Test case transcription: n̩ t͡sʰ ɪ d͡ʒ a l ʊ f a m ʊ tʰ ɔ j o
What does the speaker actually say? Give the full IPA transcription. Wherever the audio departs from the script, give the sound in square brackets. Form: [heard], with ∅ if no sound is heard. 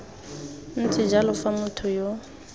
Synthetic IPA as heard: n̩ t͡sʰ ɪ d͡ʒ a l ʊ f a m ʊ tʰ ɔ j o